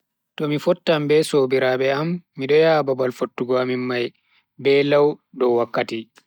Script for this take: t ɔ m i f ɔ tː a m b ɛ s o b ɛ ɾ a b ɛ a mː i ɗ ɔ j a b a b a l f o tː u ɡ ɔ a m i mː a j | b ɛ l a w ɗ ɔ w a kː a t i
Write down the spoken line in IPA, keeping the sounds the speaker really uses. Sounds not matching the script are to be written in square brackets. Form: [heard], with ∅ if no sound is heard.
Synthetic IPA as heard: t ɔ m i f ɔ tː a m b ɛ s o b [i] ɾ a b ɛ a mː i ɗ ɔ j a b a b a l f o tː u ɡ ɔ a m i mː a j | b ɛ l a w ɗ ɔ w a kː a t i